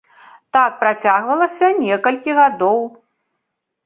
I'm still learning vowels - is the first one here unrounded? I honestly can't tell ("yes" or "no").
yes